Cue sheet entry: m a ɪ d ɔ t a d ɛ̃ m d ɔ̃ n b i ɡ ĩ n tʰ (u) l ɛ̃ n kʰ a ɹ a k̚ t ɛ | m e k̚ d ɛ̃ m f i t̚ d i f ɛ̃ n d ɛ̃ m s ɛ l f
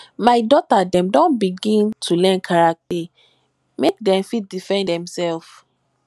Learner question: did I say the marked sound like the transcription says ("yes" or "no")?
yes